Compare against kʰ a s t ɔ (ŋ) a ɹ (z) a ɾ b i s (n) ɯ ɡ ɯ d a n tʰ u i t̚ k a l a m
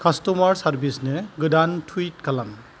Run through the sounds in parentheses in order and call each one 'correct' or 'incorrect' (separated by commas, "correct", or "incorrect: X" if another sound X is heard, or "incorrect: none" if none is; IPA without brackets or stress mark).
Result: incorrect: m, incorrect: s, correct